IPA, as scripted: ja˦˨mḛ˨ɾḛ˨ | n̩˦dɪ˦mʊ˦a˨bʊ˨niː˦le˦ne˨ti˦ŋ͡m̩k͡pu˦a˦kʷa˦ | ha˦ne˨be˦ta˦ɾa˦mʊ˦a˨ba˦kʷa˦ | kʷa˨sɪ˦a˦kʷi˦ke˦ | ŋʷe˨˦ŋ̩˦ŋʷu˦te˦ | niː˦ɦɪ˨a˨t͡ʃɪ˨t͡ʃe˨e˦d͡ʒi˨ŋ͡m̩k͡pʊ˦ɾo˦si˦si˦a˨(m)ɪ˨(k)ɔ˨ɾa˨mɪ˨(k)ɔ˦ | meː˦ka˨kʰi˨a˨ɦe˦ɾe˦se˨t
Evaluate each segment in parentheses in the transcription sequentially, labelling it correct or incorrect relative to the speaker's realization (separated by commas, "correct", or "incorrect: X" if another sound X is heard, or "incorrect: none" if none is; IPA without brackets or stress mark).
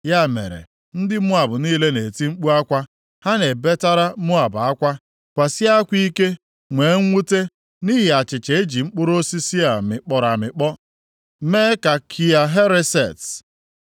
correct, incorrect: k͡p, incorrect: k͡p